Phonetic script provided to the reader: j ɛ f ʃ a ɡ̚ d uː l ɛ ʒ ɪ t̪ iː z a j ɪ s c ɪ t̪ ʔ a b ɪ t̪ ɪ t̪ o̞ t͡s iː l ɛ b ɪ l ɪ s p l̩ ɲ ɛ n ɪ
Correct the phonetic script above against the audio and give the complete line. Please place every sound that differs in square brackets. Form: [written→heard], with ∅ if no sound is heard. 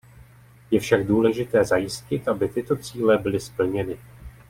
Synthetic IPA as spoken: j ɛ f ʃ a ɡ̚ d uː l ɛ ʒ ɪ t̪ [iː→ɛː] z a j ɪ s c ɪ t̪ ʔ a b ɪ t̪ ɪ t̪ o̞ t͡s iː l ɛ b ɪ l ɪ s p l̩ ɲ ɛ n ɪ